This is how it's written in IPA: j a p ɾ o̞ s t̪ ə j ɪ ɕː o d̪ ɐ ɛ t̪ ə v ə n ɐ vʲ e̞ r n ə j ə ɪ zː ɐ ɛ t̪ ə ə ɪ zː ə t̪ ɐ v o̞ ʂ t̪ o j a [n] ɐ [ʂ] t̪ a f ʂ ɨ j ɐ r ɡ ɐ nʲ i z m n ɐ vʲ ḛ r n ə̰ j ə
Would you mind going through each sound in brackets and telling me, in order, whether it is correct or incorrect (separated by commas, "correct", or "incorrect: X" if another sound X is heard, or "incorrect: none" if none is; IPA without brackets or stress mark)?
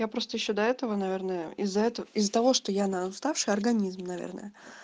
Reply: correct, incorrect: s